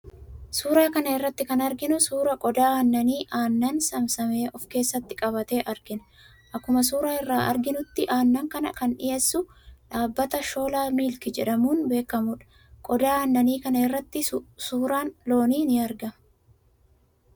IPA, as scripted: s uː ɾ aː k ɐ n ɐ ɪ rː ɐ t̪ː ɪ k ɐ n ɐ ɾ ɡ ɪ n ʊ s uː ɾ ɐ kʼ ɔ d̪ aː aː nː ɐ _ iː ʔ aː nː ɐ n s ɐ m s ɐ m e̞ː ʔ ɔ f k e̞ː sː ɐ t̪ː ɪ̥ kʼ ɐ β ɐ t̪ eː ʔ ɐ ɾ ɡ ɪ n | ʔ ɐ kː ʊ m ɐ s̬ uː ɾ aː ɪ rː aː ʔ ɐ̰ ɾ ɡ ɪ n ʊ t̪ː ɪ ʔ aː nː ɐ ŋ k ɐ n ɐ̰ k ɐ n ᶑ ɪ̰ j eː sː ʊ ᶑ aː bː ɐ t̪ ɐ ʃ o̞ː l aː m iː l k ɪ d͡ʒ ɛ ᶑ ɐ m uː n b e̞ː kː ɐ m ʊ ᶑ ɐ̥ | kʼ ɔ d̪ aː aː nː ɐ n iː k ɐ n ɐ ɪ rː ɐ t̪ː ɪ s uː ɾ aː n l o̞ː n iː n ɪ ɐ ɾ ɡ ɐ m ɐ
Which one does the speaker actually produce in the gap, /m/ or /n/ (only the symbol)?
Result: n